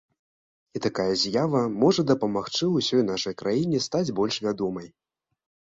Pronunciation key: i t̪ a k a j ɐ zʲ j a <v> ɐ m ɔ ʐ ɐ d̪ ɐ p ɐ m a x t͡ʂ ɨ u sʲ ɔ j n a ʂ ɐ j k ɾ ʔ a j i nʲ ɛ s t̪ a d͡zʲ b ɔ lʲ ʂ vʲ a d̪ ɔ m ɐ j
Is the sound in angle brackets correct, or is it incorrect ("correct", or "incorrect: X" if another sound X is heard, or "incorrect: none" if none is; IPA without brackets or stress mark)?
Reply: correct